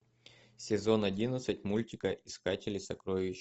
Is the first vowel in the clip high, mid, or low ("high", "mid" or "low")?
high